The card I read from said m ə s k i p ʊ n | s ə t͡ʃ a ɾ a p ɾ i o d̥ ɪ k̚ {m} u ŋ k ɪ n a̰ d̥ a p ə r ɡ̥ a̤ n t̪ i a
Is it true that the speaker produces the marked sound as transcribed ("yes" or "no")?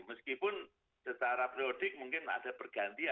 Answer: yes